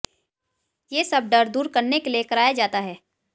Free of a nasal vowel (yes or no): yes